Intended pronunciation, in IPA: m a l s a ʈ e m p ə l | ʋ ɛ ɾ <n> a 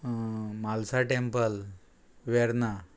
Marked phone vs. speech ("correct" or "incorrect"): correct